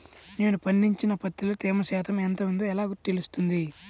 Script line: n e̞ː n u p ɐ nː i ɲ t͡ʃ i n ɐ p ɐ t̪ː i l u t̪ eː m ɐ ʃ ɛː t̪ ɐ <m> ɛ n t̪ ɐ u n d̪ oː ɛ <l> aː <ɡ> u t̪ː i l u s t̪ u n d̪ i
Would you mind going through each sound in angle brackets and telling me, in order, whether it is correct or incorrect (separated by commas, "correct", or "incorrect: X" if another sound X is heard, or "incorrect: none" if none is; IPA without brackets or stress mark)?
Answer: correct, correct, correct